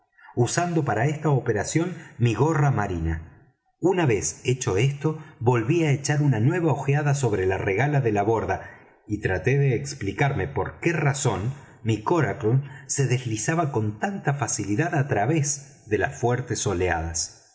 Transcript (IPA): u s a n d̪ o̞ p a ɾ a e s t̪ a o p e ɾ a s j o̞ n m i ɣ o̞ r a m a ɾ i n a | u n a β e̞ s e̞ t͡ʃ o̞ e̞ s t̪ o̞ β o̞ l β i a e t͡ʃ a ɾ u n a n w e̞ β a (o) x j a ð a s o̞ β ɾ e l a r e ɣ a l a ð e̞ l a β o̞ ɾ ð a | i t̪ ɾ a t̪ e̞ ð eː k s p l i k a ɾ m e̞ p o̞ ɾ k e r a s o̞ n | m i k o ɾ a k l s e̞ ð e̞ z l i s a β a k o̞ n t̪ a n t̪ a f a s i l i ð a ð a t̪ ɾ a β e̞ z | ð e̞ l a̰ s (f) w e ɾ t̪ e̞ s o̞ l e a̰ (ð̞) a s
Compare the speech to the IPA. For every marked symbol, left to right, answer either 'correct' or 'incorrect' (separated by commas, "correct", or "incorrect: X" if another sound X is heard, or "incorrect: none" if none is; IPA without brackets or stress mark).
correct, correct, correct